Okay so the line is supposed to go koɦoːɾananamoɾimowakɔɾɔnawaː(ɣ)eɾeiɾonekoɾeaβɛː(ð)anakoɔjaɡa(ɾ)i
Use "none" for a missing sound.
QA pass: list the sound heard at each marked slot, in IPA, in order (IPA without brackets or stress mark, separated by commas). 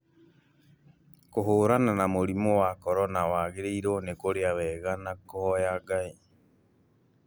ɣ, ɣ, none